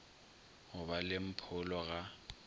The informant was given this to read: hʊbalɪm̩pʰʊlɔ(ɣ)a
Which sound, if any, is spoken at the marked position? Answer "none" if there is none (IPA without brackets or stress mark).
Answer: ɣ